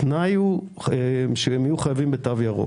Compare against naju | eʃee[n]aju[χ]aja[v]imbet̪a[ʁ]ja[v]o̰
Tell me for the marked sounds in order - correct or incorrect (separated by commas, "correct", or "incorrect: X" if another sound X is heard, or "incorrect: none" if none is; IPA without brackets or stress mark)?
incorrect: m, correct, correct, incorrect: v, incorrect: ʁ